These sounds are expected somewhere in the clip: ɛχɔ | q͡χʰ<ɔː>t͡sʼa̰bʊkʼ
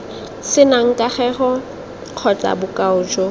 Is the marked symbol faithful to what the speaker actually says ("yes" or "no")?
no